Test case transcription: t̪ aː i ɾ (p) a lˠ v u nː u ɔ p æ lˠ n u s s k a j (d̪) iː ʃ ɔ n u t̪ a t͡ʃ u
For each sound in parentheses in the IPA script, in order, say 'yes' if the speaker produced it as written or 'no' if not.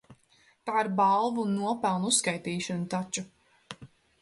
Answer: no, no

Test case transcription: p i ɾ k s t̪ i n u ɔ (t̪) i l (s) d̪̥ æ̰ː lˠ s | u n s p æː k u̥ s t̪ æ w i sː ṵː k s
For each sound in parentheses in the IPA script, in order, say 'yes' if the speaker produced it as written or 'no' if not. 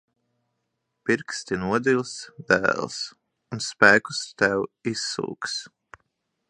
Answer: no, yes

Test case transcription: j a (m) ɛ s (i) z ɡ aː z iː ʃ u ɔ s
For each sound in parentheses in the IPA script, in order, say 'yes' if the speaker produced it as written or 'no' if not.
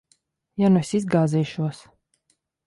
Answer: no, yes

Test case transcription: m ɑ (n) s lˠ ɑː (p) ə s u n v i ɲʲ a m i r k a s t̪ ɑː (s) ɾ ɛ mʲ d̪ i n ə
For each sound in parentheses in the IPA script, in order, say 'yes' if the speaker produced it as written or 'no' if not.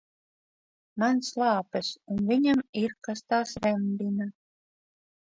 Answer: yes, yes, yes

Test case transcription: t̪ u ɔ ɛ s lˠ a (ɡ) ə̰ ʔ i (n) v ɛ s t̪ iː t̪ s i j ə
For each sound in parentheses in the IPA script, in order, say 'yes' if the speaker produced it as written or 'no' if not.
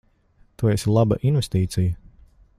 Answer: no, yes

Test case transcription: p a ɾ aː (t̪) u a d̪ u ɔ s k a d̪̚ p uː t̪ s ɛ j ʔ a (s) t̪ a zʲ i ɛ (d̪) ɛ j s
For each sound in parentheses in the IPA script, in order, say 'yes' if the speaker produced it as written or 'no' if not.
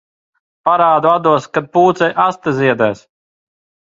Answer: no, yes, yes

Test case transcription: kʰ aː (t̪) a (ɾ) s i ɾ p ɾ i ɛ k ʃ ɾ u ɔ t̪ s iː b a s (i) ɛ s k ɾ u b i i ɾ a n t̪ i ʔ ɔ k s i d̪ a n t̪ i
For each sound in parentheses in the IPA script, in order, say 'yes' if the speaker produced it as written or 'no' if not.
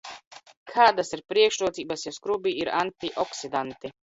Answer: no, no, no

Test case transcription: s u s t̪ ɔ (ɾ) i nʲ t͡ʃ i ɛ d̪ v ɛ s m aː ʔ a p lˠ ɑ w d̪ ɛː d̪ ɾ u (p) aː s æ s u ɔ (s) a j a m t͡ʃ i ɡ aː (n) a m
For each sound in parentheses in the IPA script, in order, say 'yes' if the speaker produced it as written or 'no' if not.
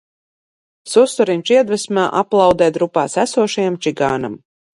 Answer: yes, yes, no, yes

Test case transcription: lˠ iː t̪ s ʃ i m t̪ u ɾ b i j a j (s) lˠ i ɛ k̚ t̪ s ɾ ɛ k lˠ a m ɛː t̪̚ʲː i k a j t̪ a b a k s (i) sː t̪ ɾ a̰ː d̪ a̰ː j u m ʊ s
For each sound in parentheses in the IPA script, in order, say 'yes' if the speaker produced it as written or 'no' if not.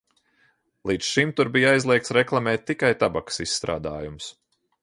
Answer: no, yes

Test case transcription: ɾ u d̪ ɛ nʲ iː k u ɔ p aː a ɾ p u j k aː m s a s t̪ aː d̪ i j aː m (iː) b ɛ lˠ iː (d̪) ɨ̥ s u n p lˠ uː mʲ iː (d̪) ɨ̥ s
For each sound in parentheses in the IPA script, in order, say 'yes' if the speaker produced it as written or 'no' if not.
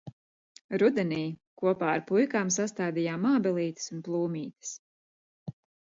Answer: no, no, no

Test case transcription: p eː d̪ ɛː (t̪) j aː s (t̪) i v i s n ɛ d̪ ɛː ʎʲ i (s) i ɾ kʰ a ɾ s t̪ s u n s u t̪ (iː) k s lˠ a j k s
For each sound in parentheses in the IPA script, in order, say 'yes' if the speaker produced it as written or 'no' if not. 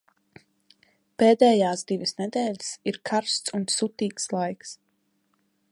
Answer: no, no, yes, yes

